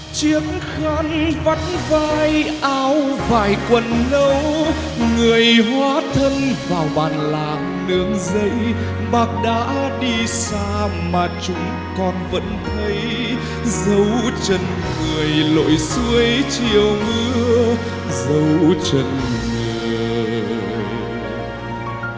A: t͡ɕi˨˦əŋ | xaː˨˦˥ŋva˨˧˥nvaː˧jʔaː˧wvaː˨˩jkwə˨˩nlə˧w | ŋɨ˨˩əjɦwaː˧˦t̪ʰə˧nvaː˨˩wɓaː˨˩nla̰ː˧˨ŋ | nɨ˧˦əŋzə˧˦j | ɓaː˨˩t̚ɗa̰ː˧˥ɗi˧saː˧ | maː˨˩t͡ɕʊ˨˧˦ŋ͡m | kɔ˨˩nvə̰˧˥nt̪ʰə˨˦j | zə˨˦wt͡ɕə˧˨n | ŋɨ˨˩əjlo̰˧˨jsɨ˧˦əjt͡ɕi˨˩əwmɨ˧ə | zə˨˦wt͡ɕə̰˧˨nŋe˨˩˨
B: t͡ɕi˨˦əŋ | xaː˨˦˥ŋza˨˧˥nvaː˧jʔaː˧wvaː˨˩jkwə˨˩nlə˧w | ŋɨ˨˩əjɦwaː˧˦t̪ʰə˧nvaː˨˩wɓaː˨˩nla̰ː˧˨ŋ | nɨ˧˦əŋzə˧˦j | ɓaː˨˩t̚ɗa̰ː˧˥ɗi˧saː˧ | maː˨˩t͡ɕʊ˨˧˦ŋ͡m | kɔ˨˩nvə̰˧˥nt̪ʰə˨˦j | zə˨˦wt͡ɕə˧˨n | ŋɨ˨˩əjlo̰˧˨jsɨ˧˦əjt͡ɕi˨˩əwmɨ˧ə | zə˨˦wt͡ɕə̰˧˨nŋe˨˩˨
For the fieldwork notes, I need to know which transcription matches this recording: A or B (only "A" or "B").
A